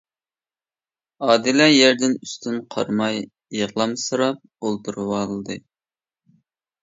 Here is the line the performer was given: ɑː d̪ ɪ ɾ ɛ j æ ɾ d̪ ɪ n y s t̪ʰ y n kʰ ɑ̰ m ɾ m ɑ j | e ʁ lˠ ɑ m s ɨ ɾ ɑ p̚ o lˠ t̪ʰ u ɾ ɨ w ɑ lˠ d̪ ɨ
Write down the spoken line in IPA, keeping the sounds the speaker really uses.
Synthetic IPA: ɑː d̪ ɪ l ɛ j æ ɾ d̪ ɪ n y s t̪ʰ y n qʰ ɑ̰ ɾ m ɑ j | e ʁ lˠ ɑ m s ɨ ɾ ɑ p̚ o lˠ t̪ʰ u ɾ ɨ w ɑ lˠ d̪ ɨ